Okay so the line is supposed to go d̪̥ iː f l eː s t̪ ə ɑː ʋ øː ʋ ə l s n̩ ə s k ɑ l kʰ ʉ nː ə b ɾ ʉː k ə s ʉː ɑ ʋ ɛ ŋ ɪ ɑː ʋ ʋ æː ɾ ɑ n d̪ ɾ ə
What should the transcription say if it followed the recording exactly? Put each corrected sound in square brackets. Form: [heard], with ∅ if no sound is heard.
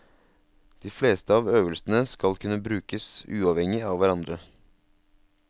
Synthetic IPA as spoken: d̪̥ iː f l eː s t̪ ə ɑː ʋ øː ʋ ə l s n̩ ə s k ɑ l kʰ ʉ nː ə b ɾ ʉː k ə s ʉː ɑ ʋ ɛ ŋ ɪ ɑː ʋ ʋ [æ] ɾ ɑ n d̪ ɾ ə